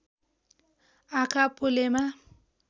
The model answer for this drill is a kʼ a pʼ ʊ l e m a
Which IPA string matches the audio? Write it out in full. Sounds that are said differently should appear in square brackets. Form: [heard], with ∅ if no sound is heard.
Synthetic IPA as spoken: a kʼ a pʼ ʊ l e m a